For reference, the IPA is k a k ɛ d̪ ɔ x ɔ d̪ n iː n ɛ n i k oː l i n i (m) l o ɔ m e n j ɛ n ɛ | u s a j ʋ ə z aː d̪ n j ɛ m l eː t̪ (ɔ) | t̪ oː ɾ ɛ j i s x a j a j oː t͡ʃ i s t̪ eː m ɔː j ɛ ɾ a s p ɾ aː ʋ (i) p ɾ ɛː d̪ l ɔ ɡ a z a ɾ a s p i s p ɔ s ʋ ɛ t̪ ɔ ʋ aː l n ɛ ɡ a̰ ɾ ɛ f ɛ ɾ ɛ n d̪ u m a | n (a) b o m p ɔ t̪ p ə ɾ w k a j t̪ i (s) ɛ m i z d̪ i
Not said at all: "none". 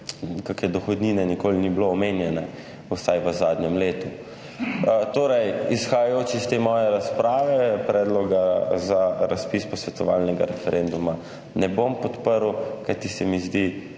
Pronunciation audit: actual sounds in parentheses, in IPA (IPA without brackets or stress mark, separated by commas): b, u, ɛ, ɛ, s